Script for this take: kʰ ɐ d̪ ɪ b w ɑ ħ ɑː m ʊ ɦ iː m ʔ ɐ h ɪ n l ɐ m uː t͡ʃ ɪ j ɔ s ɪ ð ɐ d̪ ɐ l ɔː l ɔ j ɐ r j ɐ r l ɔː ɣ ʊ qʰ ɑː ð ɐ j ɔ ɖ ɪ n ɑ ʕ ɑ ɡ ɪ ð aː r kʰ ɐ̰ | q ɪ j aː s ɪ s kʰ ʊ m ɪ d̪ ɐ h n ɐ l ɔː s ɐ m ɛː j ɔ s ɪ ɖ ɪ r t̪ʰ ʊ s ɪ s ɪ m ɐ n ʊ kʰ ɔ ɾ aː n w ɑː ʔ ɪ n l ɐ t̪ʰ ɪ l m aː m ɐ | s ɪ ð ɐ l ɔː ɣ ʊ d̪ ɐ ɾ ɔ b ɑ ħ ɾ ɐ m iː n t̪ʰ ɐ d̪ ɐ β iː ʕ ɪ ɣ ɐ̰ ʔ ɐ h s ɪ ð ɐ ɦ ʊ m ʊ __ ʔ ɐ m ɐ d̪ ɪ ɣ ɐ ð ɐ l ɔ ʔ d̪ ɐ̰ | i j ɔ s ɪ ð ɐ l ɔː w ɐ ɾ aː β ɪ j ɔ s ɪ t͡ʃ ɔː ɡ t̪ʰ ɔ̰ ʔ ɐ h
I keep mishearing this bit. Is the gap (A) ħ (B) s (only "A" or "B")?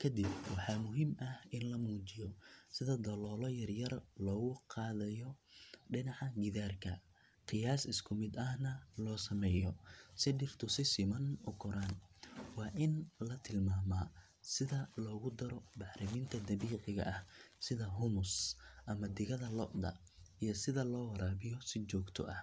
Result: B